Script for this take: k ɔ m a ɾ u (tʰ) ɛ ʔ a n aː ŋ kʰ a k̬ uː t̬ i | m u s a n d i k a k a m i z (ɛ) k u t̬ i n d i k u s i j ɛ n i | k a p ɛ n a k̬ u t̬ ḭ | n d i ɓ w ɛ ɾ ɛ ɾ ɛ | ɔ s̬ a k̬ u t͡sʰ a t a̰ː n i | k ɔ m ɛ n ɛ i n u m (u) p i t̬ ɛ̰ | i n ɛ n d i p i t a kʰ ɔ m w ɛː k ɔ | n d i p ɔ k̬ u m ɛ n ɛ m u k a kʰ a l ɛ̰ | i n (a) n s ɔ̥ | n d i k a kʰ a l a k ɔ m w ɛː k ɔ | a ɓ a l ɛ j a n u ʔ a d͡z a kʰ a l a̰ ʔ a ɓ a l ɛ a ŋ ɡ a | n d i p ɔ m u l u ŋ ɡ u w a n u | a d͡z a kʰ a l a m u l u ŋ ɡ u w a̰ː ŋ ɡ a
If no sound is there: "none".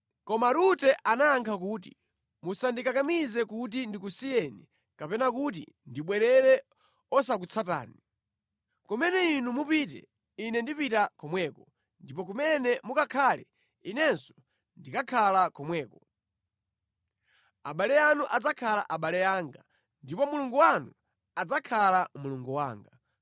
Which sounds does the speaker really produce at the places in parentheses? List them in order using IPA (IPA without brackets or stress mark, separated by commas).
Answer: t, ɛ, u, ɛ